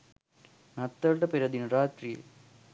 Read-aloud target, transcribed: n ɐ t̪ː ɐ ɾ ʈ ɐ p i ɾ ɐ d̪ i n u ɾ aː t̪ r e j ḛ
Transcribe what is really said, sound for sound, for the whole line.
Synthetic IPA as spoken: n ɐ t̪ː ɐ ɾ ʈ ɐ p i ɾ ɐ d̪ i n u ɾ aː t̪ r i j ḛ